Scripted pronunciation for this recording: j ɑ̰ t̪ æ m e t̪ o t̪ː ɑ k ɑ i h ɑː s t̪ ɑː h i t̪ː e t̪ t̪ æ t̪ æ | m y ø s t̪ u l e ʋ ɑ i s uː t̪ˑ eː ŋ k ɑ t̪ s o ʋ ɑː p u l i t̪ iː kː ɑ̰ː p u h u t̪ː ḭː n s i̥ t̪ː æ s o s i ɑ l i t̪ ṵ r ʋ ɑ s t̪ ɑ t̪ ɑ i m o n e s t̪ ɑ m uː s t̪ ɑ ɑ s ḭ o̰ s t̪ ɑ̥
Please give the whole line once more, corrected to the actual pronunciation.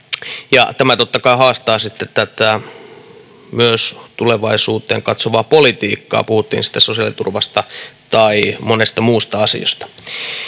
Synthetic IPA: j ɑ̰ t̪ æ m æ t̪ o t̪ː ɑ k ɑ i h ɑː s t̪ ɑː s i t̪ː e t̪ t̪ æ t̪ æ | m y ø s t̪ u l e ʋ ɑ i s uː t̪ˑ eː ŋ k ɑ t̪ s o ʋ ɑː p o l i t̪ iː kː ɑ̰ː p u h u t̪ː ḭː n s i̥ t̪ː æ s o s i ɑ l i t̪ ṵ r ʋ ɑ s t̪ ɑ t̪ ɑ i m o n e s t̪ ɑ m uː s t̪ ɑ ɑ s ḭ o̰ s t̪ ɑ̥